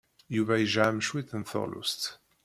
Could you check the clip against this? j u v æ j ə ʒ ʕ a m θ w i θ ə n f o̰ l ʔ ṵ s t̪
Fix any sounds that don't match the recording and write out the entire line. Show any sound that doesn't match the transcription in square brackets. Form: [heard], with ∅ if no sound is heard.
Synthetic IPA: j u v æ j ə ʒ ʕ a m [ʃ] w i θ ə n [θ] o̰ l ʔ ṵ s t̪